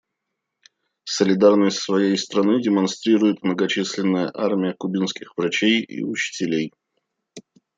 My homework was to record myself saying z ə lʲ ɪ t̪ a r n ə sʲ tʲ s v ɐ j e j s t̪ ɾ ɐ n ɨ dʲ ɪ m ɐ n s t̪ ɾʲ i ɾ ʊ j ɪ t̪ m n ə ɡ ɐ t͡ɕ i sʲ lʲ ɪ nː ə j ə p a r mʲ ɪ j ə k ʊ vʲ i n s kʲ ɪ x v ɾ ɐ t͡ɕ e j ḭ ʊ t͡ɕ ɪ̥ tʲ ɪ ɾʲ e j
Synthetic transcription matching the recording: s ə lʲ ɪ d̪ a r n ə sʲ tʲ s v ɐ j e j s t̪ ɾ ɐ n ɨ dʲ ɪ m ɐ n s t̪ ɾʲ i ɾ ʊ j ɪ t̪ m n ə ɡ ɐ t͡ɕ i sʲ lʲ ɪ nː ə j ə ʔ a r mʲ ɪ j ə k ʊ bʲ i n s kʲ ɪ x v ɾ ɐ t͡ɕ e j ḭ ʊ t͡ɕ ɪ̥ tʲ ɪ lʲ e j